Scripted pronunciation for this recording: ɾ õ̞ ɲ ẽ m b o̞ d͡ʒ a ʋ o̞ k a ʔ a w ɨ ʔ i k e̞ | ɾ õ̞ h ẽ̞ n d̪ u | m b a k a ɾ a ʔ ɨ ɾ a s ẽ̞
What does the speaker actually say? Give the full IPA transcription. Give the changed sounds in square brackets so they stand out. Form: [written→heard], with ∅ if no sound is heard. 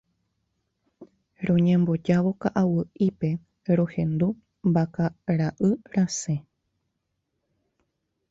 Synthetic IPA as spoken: ɾ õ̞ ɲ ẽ m b o̞ d͡ʒ a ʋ o̞ k a ʔ a w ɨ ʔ i [k→p] e̞ | ɾ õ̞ h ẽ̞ n d̪ u | m b a k a ɾ a ʔ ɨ ɾ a s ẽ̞